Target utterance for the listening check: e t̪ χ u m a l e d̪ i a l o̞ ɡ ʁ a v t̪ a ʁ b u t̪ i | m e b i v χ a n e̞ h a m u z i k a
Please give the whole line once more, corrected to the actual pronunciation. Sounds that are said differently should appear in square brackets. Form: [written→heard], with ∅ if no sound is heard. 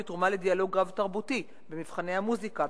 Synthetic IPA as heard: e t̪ [χ→ʁ] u m a l e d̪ i a l o̞ ɡ ʁ a v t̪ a ʁ b u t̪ i | [m→b] e [b→m] i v χ a n e̞ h a m u z i k a